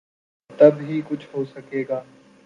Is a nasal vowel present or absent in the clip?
absent